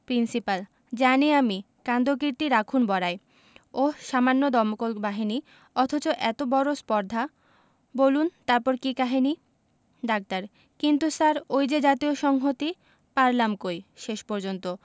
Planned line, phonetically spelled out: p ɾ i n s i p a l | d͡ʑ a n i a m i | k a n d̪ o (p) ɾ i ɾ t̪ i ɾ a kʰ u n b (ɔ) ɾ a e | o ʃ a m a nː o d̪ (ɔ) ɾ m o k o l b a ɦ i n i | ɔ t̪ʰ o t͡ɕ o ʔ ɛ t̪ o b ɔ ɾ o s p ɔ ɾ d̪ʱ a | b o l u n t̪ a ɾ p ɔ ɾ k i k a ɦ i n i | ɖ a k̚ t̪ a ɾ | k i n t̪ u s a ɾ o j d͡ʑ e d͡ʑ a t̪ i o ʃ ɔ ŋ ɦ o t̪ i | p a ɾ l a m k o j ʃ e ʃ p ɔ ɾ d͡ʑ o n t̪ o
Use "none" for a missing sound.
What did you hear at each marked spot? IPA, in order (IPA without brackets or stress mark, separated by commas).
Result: k, ɔ, ɔ